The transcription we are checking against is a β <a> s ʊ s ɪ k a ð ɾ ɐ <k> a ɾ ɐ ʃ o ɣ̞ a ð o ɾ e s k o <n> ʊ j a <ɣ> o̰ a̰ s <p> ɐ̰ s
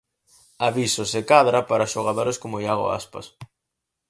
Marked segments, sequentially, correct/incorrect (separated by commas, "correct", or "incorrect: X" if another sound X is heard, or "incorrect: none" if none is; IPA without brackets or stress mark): incorrect: i, incorrect: p, incorrect: m, correct, correct